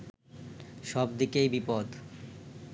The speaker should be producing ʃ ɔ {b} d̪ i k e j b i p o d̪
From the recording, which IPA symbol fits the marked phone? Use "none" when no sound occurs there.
b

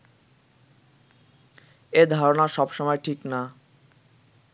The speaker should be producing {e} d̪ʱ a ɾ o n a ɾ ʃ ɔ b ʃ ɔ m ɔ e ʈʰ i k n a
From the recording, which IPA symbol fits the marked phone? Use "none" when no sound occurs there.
e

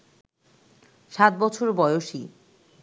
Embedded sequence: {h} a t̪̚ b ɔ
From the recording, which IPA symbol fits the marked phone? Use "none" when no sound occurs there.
ʃ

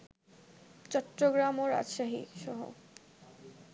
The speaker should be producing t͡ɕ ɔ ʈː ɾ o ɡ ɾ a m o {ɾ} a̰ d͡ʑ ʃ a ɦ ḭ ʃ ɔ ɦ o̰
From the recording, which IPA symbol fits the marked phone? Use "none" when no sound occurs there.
ɾ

